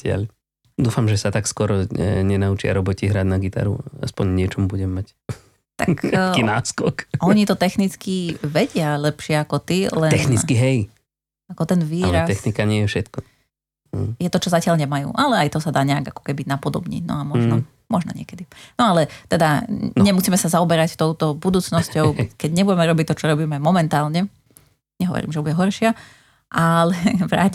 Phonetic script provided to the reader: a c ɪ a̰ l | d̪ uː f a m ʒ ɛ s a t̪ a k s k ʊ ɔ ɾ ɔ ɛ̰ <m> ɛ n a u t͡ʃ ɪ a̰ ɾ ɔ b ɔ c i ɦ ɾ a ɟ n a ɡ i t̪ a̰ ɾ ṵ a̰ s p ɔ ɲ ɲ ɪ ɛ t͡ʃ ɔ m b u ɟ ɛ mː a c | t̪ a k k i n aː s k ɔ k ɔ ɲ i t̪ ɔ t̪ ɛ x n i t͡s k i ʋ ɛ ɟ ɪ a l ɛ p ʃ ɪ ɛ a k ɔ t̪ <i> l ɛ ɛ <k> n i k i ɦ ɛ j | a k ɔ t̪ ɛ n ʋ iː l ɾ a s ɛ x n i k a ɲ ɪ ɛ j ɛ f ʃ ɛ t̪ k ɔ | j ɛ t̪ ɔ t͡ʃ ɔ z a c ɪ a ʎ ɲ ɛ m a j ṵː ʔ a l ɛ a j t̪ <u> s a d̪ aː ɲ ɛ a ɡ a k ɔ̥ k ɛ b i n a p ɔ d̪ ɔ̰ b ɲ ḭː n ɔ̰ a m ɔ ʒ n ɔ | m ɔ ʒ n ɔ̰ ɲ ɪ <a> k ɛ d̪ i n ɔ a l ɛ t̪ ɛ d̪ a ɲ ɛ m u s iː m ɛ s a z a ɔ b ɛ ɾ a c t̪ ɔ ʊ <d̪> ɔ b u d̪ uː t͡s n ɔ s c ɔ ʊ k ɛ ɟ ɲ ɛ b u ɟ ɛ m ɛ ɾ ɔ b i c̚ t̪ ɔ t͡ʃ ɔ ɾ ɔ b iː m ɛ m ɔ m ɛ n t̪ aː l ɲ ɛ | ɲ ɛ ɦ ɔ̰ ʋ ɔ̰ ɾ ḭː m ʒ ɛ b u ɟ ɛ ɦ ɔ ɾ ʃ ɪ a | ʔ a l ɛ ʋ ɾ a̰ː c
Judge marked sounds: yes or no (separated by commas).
no, yes, no, no, no, no